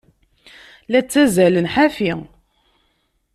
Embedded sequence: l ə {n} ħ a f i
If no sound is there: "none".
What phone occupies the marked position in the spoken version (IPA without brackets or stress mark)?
n